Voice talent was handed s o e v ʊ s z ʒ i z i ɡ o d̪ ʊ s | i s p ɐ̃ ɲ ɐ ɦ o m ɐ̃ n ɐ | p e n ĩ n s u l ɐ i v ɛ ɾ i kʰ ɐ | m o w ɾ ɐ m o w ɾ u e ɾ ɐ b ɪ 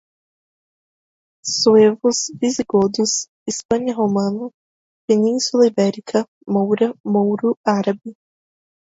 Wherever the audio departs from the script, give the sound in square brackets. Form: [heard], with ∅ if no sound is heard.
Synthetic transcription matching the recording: s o e v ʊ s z [v] i z i ɡ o d̪ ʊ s | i s p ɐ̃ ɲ ɐ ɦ o m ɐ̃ n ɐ | p e n ĩ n s u l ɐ i [b] ɛ ɾ i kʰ ɐ | m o w ɾ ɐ m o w ɾ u [a] ɾ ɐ b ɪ